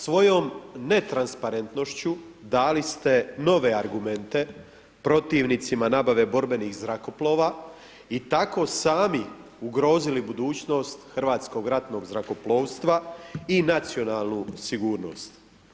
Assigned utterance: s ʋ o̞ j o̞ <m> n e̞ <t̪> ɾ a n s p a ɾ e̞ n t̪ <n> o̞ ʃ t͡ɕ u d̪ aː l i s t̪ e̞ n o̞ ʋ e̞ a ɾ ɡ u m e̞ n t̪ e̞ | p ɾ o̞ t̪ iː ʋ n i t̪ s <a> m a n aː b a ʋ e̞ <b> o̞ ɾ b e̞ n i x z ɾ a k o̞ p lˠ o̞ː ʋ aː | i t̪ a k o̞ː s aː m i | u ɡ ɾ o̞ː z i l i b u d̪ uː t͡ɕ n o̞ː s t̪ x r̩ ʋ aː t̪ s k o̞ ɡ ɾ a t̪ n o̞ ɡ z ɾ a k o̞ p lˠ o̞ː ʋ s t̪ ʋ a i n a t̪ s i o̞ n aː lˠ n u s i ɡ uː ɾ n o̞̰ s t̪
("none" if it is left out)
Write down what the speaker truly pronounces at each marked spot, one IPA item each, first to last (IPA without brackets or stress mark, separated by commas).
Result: m, t̪, n, i, b